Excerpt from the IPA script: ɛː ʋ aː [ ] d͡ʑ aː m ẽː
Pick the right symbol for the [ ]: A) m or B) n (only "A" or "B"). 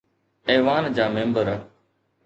B